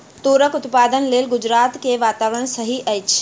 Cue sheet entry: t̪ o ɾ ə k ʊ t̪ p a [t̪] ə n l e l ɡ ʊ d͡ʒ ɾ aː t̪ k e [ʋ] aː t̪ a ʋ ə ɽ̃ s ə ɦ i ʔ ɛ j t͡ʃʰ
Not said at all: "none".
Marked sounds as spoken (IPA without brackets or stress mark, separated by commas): d̪, ʋ